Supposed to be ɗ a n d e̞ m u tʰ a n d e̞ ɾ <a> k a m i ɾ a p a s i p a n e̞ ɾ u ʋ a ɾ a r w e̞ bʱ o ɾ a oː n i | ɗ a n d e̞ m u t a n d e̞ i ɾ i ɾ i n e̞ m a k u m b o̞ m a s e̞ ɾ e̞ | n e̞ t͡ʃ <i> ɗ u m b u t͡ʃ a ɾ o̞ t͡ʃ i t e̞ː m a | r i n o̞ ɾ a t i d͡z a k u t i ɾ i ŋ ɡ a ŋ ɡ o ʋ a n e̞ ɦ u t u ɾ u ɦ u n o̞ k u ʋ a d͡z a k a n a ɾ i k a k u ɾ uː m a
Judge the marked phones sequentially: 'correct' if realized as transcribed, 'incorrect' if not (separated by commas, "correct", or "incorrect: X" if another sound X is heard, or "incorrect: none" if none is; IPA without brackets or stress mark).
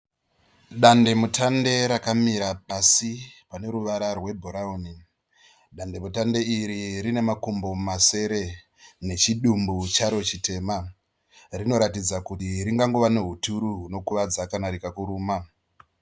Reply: correct, correct